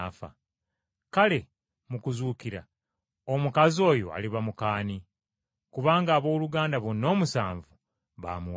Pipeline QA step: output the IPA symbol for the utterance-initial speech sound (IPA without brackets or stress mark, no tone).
f